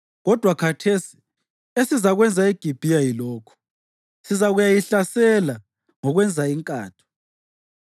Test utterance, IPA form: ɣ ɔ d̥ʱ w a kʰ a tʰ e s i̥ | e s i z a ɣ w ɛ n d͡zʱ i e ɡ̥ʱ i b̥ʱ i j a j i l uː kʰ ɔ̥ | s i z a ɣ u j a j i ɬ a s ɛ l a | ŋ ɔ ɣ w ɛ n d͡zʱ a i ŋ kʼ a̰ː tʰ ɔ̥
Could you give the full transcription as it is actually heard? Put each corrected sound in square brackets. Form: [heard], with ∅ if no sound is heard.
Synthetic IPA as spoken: ɣ ɔ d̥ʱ w a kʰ a tʰ e s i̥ | e s i z a ɣ w ɛ n d͡zʱ [a] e ɡ̥ʱ i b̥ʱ i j a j i l [ɔː] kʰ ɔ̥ | s i z a ɣ u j a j i ɬ a s ɛ l a | ŋ ɔ ɣ w ɛ n d͡zʱ a i ŋ kʼ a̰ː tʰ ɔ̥

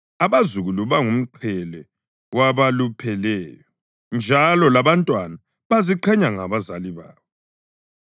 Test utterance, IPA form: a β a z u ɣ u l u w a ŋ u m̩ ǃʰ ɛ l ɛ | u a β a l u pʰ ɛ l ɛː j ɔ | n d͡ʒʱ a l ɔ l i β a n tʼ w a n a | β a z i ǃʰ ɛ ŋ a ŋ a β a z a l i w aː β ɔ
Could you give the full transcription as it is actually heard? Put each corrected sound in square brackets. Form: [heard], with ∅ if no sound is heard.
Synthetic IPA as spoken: a β a z u ɣ u l u [β] a ŋ u m̩ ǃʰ ɛ l ɛ | [w] a β a l u pʰ ɛ l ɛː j ɔ | n d͡ʒʱ a l ɔ l [a] β a n tʼ w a n a | β a z i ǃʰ ɛ [ɲ] a ŋ a β a z a l i [β] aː β ɔ

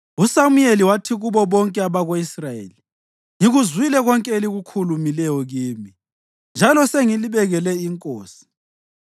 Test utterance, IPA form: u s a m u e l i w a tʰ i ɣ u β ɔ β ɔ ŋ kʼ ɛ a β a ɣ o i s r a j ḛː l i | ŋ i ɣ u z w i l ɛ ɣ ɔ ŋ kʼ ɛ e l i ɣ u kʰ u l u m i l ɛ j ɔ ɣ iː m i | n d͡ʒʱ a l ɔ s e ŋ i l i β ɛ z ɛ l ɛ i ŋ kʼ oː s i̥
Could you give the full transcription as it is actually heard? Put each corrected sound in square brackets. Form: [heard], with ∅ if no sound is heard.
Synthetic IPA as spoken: u s a m u e l i w a tʰ i ɣ u β ɔ β ɔ ŋ kʼ ɛ a β a ɣ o i s r a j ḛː l i | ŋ i ɣ u z w i l ɛ ɣ ɔ ŋ kʼ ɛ e l i ɣ u kʰ u l u m i l ɛ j ɔ ɣ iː m i | n d͡ʒʱ a l ɔ s e ŋ i l i β ɛ [ɣ] ɛ l ɛ i ŋ kʼ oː s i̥

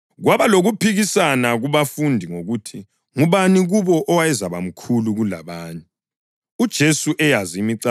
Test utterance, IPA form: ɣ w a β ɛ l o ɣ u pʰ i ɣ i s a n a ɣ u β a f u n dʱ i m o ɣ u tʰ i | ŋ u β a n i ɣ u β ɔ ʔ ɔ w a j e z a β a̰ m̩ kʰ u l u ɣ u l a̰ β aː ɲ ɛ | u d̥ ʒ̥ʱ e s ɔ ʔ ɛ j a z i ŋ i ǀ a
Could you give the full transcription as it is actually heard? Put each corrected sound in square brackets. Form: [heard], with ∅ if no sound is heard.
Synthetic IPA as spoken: ɣ w a β [a] l o ɣ u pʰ i ɣ i s a n a ɣ u β a f u n dʱ i [ŋ] o ɣ u tʰ i | ŋ u β a n i ɣ u β ɔ ʔ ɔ w a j [ɛ] z a β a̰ m̩ kʰ u l u ɣ u l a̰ β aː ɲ ɛ | u d̥ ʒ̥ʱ e s [u] ʔ ɛ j a z i [m] i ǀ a

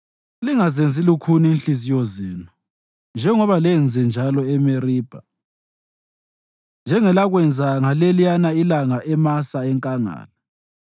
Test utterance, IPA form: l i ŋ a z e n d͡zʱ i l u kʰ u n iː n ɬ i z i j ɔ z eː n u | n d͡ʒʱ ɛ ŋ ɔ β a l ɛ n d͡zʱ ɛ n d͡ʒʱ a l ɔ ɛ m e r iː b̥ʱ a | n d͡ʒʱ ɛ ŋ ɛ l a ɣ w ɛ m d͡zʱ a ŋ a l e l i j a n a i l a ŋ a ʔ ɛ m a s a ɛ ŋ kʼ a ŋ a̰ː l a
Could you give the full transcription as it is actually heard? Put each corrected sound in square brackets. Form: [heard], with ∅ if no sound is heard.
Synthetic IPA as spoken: l i ŋ a z e n d͡zʱ i l u kʰ u n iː n ɬ i z i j ɔ z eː n u | n d͡ʒʱ ɛ ŋ ɔ β a l ɛ n d͡zʱ ɛ n d͡ʒʱ a l ɔ ɛ m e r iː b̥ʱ a | n d͡ʒʱ ɛ ŋ ɛ l a ɣ w ɛ [n] d͡zʱ a ŋ a l e l i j a n a i l a ŋ a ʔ ɛ m a s a ɛ ŋ kʼ a ŋ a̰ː l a

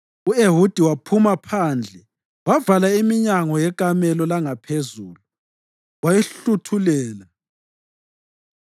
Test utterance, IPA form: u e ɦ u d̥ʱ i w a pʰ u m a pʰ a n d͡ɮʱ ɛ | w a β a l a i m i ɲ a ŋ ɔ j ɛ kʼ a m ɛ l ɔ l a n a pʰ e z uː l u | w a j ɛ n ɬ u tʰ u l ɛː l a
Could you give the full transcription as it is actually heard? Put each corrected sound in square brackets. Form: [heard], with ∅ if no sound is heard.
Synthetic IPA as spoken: u e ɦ u d̥ʱ i w a pʰ u m a pʰ a n d͡ɮʱ ɛ | w a [v] a l a i m i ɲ a ŋ ɔ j ɛ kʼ a m ɛ l ɔ l a [ŋ] a pʰ e z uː l u | w a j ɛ [∅] ɬ u tʰ u l ɛː l a

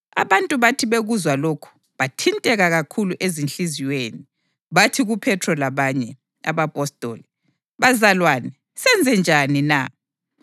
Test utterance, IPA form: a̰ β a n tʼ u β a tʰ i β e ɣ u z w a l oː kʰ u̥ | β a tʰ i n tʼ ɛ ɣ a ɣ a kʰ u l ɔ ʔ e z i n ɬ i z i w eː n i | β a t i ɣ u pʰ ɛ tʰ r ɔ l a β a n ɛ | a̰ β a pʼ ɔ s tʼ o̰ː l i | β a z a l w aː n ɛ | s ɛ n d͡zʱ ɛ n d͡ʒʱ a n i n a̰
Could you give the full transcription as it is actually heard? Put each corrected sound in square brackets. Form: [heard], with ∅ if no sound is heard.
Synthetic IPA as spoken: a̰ β a n tʼ u β a tʰ i β e ɣ u z w a l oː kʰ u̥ | β a tʰ i n tʼ ɛ ɣ a ɣ a kʰ u l [u] ʔ e z i n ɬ i z i w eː n i | β a [tʰ] i ɣ u pʰ ɛ tʰ r ɔ l a β a [ɲ] ɛ | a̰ β a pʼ ɔ s tʼ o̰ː l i | β a z a l w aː n ɛ | s ɛ n d͡zʱ ɛ n d͡ʒʱ a n i n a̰

